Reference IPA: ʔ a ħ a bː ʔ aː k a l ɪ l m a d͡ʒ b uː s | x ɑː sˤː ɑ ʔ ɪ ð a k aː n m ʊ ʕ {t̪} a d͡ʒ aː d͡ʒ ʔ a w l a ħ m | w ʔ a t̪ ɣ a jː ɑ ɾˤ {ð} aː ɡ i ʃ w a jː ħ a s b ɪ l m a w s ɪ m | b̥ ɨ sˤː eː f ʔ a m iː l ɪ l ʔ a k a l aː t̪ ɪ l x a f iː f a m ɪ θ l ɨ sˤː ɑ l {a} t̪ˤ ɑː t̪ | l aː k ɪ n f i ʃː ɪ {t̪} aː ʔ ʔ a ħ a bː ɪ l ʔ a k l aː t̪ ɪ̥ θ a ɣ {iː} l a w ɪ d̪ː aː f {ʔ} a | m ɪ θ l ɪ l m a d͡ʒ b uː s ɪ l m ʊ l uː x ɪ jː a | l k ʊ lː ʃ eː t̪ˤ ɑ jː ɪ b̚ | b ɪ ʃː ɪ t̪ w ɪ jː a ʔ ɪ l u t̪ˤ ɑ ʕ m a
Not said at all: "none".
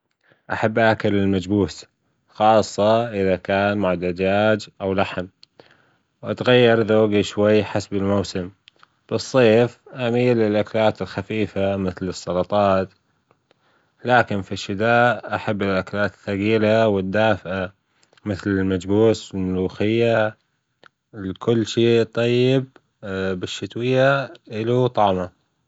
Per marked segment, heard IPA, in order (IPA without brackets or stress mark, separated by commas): d̪, ð, ɑ, d̪, iː, ʔ